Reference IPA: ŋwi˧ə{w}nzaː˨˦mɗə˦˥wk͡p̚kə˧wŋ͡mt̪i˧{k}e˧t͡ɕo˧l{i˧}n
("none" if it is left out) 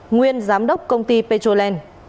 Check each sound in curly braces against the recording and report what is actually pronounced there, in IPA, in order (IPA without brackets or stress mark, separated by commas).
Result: none, p, ɛ˧